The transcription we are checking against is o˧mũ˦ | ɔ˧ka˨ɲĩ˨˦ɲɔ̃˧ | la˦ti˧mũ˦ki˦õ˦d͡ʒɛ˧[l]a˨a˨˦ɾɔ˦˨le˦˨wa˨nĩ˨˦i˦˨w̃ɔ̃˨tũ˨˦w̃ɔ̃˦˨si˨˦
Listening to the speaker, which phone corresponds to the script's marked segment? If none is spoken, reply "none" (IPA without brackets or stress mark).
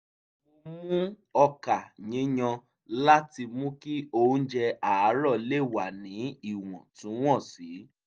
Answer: none